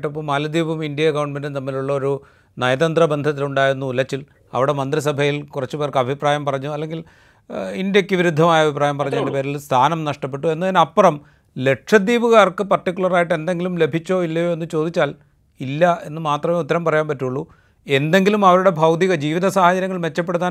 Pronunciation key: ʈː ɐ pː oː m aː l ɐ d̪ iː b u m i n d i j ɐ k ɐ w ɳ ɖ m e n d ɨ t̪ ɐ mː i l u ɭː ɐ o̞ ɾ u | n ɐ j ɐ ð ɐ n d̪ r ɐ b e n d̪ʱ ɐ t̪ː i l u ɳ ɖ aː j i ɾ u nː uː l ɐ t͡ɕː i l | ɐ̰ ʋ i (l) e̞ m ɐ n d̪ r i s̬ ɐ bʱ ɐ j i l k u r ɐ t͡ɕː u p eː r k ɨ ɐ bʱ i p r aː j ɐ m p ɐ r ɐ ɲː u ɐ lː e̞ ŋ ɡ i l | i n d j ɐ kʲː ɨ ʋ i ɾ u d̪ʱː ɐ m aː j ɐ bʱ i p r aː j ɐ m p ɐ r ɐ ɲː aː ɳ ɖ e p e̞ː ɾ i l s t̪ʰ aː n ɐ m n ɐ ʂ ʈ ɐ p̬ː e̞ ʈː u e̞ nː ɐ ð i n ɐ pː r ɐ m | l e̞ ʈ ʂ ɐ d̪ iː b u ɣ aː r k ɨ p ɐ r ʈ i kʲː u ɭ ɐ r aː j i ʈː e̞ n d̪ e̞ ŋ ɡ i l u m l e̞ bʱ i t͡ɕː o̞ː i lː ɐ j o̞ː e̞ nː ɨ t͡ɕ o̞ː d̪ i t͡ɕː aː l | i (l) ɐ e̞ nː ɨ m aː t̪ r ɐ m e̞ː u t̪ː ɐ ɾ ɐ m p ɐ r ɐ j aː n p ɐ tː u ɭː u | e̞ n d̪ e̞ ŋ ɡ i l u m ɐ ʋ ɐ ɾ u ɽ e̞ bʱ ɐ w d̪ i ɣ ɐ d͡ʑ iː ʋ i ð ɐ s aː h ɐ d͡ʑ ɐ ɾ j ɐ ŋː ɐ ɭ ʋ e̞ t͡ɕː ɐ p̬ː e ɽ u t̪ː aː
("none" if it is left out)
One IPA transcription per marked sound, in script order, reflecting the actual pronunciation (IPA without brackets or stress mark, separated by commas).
ɽ, lː